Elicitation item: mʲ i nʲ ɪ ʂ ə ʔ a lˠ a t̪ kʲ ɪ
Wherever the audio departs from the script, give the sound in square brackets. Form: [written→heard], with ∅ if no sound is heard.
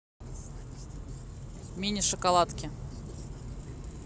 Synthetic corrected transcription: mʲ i nʲ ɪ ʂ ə [ʔ→k] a lˠ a t̪ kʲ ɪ